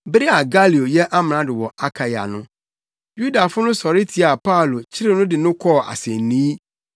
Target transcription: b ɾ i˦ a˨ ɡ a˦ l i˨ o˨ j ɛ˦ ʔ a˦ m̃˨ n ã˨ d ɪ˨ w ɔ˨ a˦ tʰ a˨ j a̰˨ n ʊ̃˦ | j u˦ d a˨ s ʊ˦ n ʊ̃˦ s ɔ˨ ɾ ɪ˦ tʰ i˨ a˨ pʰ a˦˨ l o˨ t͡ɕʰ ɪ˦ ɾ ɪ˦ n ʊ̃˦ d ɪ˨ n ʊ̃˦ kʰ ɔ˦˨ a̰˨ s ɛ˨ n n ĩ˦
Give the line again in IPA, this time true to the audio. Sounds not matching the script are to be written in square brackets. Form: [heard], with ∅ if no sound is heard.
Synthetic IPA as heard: b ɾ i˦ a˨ ɡ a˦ l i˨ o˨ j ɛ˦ ʔ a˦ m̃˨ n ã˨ d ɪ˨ w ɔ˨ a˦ [kʰ] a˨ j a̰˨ n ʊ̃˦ | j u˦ d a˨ [f] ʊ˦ n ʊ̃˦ s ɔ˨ ɾ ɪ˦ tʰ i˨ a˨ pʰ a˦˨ l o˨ t͡ɕʰ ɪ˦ ɾ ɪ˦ n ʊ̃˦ d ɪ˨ n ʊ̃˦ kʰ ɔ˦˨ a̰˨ s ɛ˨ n n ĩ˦